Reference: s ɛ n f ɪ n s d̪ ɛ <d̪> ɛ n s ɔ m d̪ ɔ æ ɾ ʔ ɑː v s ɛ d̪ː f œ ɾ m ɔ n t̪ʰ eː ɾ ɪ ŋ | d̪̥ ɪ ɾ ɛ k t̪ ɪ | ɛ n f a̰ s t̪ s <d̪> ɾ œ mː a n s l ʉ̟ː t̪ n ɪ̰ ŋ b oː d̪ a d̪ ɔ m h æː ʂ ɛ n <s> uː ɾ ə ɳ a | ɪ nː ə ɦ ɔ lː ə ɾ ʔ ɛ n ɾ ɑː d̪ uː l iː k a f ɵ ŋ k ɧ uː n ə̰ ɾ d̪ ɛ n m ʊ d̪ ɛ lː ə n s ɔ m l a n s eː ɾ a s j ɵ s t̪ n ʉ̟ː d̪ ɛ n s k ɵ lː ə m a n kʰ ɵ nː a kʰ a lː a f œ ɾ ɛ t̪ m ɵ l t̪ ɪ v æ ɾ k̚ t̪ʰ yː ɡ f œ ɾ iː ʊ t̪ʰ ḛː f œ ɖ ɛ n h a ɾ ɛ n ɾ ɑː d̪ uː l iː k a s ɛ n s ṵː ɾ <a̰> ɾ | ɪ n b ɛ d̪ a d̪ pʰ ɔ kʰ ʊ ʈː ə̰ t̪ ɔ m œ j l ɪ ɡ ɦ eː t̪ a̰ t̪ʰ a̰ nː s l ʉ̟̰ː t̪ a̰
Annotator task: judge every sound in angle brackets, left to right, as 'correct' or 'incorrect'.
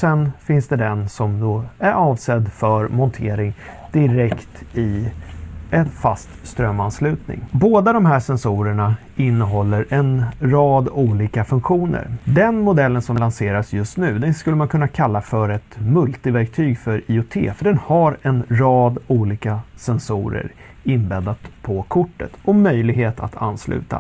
correct, incorrect: t̪, correct, incorrect: ə̰

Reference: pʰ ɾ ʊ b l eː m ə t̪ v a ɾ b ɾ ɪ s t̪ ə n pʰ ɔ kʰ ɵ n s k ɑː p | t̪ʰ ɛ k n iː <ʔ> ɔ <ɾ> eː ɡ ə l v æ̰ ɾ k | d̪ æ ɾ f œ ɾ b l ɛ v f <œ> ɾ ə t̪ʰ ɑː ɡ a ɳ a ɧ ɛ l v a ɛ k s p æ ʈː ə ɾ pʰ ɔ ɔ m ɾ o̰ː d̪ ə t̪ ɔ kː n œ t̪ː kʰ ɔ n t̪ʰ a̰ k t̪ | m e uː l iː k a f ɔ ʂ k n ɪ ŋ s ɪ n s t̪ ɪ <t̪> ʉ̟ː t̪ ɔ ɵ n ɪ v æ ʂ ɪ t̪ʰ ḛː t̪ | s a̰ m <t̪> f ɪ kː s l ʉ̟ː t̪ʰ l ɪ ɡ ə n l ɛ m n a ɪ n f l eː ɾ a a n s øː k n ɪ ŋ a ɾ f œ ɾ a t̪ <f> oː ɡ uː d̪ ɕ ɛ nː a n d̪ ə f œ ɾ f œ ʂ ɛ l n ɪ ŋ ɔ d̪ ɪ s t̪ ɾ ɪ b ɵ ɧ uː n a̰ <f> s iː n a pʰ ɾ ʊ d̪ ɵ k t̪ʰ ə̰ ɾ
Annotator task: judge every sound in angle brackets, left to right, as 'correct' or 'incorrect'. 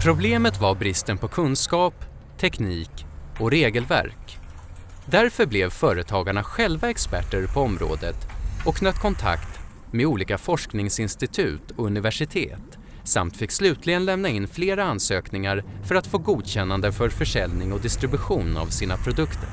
incorrect: k, correct, incorrect: œː, incorrect: t̪ʰ, correct, correct, incorrect: v

